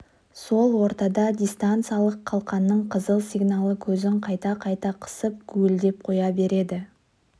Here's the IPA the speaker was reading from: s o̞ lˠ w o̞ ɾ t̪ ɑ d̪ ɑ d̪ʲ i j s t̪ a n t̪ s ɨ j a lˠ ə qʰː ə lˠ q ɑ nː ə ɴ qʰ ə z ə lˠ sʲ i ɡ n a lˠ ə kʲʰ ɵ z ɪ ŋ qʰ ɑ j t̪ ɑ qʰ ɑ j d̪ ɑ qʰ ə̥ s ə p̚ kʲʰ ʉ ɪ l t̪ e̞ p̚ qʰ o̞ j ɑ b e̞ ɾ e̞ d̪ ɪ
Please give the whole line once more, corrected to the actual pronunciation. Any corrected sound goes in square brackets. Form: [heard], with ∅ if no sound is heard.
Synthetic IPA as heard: s o̞ lˠ w o̞ ɾ t̪ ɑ d̪ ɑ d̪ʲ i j s t̪ a n t̪ s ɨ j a lˠ ə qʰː [ɑ] lˠ q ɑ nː ə ɴ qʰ ə z ə lˠ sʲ i ɡ n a lˠ ə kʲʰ ɵ z ɪ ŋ qʰ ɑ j t̪ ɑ qʰ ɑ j [t̪] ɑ qʰ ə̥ s ə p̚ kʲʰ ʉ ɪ l [d̪] e̞ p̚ qʰ o̞ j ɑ b e̞ ɾ e̞ d̪ ɪ